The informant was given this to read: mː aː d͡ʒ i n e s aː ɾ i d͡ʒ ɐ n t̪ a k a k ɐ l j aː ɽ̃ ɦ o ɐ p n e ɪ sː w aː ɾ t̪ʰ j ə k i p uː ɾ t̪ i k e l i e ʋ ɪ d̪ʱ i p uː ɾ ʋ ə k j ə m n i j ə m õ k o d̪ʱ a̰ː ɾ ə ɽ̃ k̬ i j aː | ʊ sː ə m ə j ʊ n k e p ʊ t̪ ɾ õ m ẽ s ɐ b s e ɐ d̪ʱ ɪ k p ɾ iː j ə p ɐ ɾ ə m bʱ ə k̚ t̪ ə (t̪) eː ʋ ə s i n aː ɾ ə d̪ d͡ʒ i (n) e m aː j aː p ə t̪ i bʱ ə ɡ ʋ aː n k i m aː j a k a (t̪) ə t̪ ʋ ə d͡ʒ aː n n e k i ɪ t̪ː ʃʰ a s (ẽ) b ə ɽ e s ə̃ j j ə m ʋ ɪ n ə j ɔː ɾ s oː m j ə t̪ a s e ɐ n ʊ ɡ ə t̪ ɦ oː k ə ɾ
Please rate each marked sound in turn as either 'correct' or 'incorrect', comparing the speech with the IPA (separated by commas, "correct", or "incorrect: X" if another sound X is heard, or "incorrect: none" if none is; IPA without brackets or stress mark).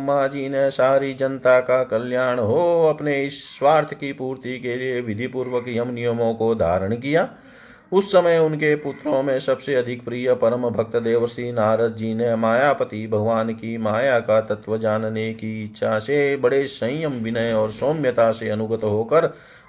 incorrect: d̪, correct, correct, incorrect: e